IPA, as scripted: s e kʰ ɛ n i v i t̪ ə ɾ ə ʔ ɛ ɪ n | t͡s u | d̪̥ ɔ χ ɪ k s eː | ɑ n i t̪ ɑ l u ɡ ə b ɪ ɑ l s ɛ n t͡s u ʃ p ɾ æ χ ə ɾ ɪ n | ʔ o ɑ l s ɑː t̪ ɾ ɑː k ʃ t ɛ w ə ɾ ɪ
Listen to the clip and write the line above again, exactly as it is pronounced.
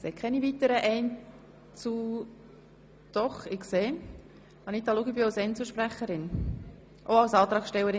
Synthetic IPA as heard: s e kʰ ɛ n i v i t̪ ə ɾ ə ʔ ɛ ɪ n | t͡s u | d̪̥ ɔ χ ɪ k s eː | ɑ n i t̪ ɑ l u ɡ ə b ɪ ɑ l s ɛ n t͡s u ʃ p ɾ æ χ ə ɾ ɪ n | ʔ o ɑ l s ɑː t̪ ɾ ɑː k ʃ t ɛ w ə ɾ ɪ